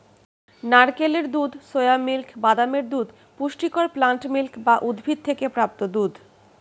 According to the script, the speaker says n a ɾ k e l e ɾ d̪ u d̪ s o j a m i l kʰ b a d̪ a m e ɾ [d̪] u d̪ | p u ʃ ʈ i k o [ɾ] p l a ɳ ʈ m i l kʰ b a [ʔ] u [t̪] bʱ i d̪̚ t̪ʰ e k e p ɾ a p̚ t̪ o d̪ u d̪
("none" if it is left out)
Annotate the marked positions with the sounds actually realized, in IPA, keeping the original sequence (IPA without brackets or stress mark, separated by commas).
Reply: d̪, ɾ, ʔ, d̪